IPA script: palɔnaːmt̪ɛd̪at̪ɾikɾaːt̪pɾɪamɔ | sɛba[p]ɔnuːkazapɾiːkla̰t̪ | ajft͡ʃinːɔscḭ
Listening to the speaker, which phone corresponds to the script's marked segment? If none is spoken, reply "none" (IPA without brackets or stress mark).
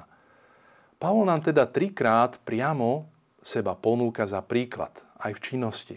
p